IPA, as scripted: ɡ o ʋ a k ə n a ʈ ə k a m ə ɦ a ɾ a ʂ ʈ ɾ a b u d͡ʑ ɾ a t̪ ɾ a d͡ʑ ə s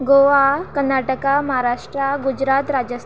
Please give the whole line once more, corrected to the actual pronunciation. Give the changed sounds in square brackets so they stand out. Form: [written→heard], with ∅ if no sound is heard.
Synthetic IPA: ɡ o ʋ a k ə n a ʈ ə k a m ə ɦ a ɾ a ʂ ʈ ɾ a [b→ɡ] u d͡ʑ ɾ a t̪ ɾ a d͡ʑ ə s